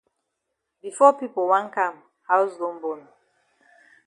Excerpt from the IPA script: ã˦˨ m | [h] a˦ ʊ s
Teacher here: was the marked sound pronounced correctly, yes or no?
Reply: yes